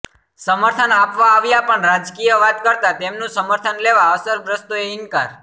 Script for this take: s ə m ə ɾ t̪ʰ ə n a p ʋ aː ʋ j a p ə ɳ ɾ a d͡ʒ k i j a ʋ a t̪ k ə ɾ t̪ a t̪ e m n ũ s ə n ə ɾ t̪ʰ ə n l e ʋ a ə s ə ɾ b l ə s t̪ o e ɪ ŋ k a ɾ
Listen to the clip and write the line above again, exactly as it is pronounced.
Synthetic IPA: s ə m ə ɾ t̪ʰ ə n a p ʋ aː ʋ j a p ə ɳ ɾ a d͡ʒ k i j ə ʋ a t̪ k ə ɾ t̪ a t̪ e m n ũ s ə m ə ɾ t̪ʰ ə n l e ʋ a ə s ə ɾ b ɾ ə s t̪ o e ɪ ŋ k a ɾ

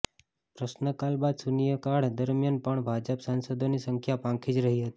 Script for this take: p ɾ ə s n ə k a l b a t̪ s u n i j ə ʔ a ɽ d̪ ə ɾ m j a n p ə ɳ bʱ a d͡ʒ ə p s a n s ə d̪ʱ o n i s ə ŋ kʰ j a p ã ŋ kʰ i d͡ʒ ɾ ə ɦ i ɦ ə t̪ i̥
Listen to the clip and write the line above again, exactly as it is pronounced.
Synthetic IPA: p ɾ ə s n ə k a l b a d̪ s u n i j ə k a ɽ d̪ ə ɾ m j a n p ə ɳ bʱ a d͡ʒ ə p s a n s ə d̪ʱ o n i s ə ŋ kʰ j a p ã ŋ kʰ i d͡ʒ ɾ ə ɦ i ɦ ə t̪ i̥

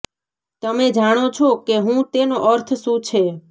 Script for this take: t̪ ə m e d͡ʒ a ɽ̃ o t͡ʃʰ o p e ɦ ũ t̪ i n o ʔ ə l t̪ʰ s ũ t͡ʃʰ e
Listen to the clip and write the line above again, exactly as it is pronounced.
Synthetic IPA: t̪ ə m e d͡ʒ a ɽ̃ o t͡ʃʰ o k e ɦ ũ t̪ e n o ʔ ə ɾ t̪ʰ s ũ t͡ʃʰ e

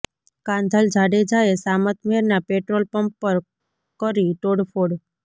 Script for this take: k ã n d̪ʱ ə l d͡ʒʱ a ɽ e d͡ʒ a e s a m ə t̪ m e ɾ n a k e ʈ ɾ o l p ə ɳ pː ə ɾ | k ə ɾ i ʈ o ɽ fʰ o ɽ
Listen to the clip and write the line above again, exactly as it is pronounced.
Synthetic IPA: k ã n d̪ʱ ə l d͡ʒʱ a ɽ e d͡ʒ a e s a m ə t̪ m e ɾ n a p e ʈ ɾ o l p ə m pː ə ɾ | k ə ɾ i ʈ o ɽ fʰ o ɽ

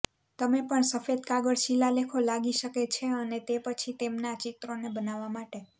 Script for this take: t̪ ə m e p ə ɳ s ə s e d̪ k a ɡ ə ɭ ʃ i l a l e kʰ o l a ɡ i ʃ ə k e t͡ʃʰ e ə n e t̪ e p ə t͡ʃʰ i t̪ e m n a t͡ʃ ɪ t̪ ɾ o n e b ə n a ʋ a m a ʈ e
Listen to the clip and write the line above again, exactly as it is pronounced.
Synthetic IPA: t̪ ə m e p ə ɳ s ə f e d̪ k a ɡ ə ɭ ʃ i l a l e kʰ o l a ɡ i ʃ ə k e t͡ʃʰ e ə n e t̪ e p ə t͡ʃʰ i t̪ e m n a t͡ʃ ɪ t̪ ɾ o n e b ə n a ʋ a m a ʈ e

